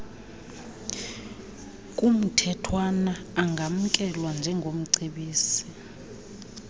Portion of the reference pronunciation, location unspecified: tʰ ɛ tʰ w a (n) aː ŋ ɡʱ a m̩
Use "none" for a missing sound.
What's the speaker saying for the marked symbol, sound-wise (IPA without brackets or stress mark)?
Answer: n